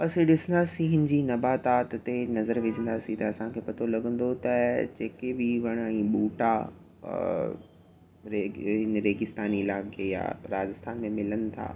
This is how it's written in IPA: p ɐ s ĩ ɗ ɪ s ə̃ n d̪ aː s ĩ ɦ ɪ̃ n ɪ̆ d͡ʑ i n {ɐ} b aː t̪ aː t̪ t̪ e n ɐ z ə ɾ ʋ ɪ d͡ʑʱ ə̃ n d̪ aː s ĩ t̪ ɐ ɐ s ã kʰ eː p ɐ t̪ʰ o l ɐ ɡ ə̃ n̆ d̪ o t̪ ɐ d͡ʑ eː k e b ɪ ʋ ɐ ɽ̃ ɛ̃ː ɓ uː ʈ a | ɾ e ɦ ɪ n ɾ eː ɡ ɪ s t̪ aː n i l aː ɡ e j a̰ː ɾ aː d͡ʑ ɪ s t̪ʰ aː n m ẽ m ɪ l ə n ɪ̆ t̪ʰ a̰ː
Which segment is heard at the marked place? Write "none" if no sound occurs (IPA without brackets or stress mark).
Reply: ɐ